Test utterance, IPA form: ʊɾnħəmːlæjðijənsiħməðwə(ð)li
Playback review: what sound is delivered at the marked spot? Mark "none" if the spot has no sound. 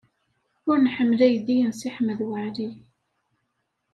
ʕ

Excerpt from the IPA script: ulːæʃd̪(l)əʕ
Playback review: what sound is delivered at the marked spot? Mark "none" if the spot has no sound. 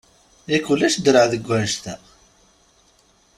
ɾ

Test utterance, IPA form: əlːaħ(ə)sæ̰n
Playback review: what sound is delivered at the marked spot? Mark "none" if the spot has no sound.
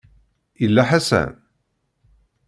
a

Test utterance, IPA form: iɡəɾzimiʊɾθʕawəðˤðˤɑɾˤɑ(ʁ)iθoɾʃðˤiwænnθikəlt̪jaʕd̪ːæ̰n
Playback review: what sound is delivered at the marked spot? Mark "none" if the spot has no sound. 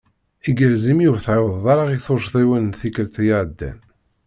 ʁ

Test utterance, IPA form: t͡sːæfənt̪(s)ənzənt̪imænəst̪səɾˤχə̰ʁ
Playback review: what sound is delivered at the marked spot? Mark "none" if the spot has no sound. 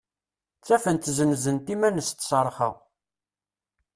z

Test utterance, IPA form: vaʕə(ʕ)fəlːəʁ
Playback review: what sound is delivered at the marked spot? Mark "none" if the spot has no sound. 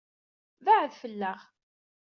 ð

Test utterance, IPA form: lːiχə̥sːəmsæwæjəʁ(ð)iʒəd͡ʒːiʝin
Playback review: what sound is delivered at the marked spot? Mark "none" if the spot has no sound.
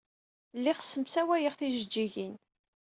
θ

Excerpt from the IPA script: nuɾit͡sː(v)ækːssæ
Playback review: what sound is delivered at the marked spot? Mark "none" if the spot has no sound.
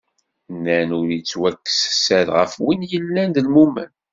w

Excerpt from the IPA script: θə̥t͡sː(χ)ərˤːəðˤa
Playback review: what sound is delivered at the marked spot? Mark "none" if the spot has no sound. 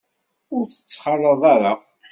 χ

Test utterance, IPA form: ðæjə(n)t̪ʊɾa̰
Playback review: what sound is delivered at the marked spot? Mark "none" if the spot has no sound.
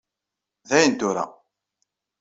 n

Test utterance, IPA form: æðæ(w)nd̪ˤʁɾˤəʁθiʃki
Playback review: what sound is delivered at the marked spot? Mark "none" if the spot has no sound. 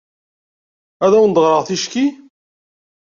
w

